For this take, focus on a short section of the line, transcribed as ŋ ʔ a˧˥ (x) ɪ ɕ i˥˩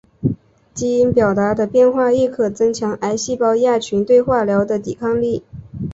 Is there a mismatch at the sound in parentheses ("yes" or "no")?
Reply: yes